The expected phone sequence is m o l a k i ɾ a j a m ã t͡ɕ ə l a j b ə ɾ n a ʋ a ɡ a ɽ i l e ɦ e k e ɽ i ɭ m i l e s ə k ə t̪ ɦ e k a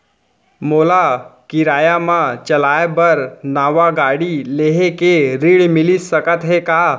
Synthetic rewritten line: m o l a k i ɾ a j a m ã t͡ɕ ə l a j b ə ɾ n a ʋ a ɡ a ɽ i l e ɦ e k e ɾ i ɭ m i l i s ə k ə t̪ ɦ e k a

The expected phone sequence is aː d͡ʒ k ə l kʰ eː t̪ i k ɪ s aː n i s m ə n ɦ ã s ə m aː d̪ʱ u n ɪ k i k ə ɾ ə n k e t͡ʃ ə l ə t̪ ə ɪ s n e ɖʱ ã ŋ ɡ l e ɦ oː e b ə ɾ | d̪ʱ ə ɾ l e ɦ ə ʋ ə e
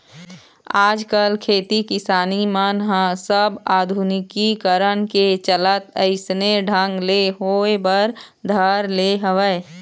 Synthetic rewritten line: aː d͡ʒ k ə l kʰ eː t̪ i k ɪ s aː n i m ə n ɦ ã s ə b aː d̪ʱ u n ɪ k i k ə ɾ ə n k e t͡ʃ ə l ə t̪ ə ɪ s n e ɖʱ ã ŋ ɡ l e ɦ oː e b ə ɾ | d̪ʱ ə ɾ l e ɦ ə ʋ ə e

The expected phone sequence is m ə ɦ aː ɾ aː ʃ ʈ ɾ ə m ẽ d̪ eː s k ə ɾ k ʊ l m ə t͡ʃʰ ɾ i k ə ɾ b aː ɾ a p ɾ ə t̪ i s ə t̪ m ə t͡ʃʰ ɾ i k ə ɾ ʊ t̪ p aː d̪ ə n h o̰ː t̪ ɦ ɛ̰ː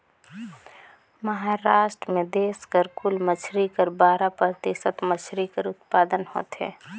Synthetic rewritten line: m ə ɦ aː ɾ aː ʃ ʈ ɾ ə m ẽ d̪ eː s k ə ɾ k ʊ l m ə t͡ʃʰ ɾ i k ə ɾ b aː ɾ a p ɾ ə t̪ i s ə t̪ m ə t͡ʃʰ ɾ i k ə ɾ ʊ t̪ p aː d̪ ə n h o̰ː t̪ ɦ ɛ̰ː

